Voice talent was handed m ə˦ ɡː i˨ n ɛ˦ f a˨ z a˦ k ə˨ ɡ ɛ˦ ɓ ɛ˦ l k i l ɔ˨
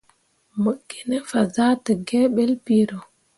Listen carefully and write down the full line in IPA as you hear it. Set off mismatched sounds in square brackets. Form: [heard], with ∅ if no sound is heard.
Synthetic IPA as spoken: m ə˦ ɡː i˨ n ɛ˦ f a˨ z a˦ [t] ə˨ ɡ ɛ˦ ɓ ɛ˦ l [p] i [ɾ] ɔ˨